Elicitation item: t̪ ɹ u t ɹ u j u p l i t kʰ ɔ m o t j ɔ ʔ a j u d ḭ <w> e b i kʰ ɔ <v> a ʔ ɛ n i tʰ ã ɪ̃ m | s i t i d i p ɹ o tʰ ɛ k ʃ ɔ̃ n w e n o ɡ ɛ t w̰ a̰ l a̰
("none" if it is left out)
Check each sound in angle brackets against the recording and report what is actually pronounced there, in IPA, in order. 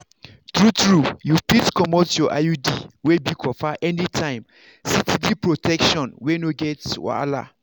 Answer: w, f

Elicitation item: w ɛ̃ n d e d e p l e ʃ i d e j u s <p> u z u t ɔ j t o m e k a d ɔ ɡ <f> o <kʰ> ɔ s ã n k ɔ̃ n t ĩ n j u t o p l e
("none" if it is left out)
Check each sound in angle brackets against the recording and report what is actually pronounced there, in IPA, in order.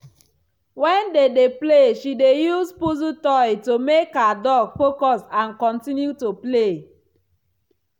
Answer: p, f, k

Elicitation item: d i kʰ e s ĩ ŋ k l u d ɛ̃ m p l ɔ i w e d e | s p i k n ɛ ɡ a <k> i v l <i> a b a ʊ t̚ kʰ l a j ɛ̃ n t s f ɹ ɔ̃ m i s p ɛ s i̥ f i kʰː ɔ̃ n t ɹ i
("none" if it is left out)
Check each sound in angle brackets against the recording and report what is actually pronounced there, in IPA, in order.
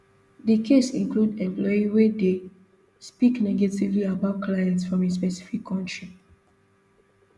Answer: t, i

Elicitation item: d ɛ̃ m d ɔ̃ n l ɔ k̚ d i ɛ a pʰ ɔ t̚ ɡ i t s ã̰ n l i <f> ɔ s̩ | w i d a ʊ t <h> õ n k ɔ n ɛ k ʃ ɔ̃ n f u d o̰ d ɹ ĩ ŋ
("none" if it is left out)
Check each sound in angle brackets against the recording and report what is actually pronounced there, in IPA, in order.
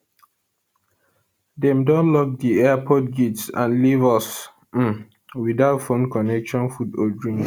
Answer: v, f

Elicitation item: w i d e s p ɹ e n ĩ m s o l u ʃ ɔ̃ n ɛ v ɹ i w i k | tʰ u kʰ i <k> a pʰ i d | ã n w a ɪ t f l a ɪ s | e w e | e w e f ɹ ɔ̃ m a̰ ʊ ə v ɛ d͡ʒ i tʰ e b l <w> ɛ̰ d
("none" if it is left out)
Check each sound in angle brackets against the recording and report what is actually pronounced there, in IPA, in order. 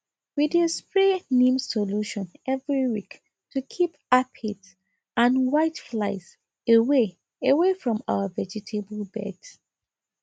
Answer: p, b

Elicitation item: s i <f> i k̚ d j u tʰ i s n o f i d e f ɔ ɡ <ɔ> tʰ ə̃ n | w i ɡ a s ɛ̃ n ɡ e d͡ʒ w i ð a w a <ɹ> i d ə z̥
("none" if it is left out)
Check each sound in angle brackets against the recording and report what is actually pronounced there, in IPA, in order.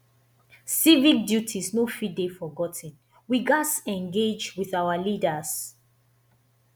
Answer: v, ɔ, l

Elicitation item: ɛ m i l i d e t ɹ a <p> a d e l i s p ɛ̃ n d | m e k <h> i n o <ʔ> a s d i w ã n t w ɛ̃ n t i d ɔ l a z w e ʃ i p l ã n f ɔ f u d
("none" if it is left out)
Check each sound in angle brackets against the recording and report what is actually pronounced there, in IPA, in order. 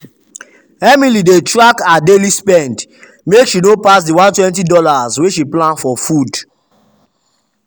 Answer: k, ʃ, p

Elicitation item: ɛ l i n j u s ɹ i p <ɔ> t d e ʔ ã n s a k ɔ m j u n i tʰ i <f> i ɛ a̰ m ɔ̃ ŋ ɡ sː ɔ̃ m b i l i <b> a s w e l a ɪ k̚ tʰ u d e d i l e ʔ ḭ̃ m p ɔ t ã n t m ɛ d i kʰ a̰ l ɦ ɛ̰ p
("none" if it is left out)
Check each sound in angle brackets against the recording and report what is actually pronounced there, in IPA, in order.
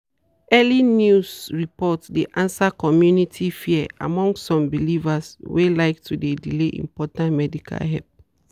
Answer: ɔ, f, v

